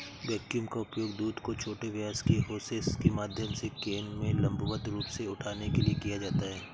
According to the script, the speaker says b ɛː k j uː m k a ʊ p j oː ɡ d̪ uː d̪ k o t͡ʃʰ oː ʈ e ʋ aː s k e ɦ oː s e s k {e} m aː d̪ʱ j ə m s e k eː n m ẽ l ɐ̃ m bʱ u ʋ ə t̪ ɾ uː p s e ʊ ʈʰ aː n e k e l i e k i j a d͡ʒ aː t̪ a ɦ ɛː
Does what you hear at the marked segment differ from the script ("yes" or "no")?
no